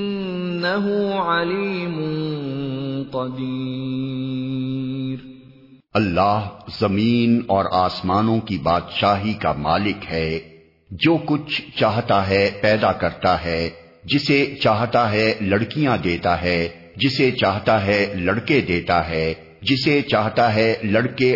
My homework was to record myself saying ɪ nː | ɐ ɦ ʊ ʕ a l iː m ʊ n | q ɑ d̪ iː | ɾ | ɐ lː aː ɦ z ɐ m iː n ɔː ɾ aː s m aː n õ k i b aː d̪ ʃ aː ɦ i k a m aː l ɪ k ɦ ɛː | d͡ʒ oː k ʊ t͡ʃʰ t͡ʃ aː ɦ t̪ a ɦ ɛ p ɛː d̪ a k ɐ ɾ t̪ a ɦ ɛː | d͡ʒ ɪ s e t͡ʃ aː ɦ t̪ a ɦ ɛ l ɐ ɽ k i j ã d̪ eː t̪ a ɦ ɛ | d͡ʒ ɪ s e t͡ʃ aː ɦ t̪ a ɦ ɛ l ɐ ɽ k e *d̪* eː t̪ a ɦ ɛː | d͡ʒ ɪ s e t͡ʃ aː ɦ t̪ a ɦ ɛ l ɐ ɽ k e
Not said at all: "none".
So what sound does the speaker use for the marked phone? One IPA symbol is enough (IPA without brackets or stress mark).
d̪